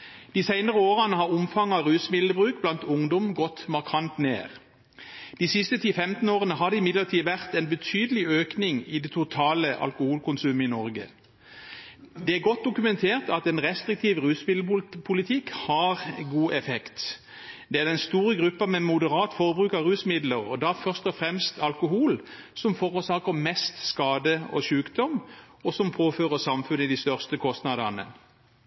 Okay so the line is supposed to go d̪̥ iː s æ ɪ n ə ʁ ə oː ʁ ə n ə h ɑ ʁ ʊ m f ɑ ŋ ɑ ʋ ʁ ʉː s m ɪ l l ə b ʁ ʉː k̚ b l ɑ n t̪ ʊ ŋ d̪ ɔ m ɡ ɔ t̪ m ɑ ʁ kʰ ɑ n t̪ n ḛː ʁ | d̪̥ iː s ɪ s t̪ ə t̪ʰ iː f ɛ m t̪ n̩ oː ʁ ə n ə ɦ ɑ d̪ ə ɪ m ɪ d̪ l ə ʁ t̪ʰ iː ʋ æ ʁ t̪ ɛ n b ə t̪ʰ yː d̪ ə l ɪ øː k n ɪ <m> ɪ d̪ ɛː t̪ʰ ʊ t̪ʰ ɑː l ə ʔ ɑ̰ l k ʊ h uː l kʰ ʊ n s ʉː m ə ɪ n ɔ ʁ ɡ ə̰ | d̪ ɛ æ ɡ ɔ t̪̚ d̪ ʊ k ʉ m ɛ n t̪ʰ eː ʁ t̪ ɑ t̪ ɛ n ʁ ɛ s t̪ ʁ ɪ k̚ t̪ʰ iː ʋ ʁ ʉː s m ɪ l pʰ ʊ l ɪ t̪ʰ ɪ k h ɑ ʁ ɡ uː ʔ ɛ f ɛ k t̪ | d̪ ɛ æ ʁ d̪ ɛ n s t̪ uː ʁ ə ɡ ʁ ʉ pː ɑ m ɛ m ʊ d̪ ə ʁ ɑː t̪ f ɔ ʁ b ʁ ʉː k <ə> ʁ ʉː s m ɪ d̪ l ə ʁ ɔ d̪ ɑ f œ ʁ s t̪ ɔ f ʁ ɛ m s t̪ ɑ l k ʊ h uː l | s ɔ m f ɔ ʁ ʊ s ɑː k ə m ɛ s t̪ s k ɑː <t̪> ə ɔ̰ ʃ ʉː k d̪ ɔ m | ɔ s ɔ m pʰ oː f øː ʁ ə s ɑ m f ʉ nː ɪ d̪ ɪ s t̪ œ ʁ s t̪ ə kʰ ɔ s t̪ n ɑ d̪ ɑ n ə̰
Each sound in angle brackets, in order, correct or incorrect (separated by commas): incorrect, incorrect, incorrect